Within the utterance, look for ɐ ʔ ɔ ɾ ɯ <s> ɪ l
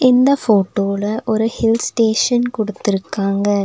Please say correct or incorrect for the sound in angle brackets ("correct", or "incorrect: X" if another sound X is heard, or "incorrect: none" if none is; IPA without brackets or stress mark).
incorrect: h